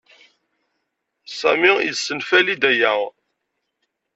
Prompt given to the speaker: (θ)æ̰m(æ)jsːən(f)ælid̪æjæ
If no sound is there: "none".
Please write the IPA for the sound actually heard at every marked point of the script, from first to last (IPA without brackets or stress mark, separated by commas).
s, i, f